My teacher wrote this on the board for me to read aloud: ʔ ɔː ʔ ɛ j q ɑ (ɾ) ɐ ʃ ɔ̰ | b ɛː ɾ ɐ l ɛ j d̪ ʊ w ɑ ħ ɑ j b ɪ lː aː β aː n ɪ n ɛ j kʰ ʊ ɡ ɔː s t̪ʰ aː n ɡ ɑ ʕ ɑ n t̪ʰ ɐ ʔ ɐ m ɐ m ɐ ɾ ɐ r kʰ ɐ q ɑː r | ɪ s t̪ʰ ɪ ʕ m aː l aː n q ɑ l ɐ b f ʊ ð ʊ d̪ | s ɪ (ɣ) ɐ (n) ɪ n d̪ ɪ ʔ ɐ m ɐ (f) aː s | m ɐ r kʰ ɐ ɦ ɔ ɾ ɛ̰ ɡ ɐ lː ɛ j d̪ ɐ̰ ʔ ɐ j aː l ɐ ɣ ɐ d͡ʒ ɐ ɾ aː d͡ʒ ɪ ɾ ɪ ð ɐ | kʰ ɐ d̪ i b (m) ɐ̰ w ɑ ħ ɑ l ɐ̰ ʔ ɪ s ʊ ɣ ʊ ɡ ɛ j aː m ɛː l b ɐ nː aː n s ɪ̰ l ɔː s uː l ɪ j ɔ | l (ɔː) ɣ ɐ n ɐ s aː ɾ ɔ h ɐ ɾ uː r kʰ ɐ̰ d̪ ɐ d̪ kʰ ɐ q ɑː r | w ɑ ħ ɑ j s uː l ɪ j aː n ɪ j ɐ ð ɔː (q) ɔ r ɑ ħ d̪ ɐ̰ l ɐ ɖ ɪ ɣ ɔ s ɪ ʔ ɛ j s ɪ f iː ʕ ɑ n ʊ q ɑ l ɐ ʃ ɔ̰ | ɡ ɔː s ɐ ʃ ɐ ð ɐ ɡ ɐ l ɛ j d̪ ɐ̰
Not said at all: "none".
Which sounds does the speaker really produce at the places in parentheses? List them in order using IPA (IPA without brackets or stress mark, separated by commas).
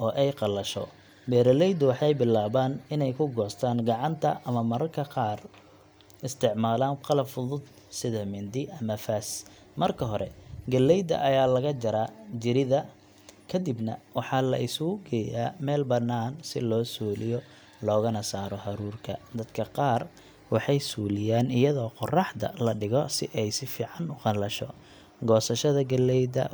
l, ð, m, f, n, ɔː, q